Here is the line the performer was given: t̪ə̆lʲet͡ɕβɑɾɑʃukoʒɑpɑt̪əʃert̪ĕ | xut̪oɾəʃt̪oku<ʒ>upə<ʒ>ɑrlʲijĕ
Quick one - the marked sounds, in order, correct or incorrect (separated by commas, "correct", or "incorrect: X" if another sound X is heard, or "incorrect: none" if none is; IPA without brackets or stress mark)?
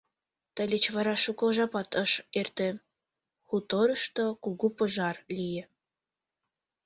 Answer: incorrect: ɣ, correct